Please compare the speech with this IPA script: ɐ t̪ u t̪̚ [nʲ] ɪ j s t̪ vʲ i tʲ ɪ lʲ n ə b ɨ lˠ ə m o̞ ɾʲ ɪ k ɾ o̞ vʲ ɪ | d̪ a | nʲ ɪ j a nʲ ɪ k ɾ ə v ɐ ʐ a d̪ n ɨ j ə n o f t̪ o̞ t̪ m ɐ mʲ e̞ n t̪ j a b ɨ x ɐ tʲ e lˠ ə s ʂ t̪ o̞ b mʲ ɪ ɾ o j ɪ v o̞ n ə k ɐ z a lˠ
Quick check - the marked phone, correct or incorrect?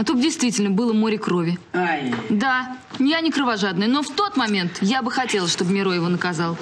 incorrect